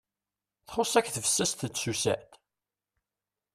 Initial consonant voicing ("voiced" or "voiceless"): voiceless